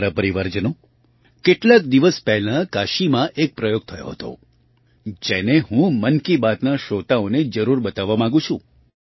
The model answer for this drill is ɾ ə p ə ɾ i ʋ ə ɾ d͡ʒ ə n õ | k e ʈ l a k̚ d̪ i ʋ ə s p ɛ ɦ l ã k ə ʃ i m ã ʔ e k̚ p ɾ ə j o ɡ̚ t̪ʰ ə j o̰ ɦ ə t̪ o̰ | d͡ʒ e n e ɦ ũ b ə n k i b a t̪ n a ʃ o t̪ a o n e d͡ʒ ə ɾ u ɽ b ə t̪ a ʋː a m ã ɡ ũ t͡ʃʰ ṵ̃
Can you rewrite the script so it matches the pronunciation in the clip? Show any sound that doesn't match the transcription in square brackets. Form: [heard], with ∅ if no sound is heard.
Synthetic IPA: ɾ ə p ə ɾ i ʋ ə ɾ d͡ʒ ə n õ | k e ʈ l a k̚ d̪ i ʋ ə s p ɛ ɦ l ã k [a] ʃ i m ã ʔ e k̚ p ɾ ə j o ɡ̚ t̪ʰ ə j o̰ ɦ ə t̪ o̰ | d͡ʒ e n e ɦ ũ [m] ə n k i b a t̪ n a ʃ o t̪ a o n e d͡ʒ ə ɾ u [ɾ] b ə t̪ a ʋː a m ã ɡ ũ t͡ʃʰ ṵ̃